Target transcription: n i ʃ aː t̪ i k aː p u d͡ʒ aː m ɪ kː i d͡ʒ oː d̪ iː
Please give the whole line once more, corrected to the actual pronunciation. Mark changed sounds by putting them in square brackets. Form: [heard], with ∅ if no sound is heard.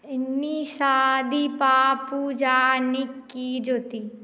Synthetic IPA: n i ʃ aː [d̪] i [p] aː p u d͡ʒ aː [n] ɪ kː i d͡ʒ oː [t̪] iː